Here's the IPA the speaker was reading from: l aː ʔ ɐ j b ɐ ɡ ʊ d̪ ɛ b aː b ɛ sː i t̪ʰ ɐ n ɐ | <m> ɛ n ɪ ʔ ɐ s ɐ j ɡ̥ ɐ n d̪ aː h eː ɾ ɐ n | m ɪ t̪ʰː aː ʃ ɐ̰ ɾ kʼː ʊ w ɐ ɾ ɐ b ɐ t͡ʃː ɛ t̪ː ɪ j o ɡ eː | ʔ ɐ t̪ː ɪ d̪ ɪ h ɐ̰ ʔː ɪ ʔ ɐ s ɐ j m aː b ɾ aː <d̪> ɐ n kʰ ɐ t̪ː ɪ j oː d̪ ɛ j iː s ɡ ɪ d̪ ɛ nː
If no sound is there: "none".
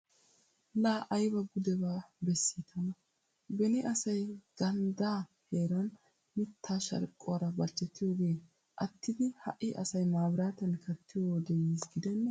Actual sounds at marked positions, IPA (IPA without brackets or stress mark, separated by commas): b, t̪